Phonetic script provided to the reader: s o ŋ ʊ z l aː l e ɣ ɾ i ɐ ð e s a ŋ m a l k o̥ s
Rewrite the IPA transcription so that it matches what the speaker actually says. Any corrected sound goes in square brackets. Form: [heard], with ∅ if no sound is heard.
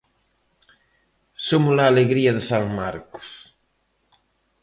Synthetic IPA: s o [m] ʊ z l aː l e ɣ ɾ i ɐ ð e s a ŋ m a [ɾ] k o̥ s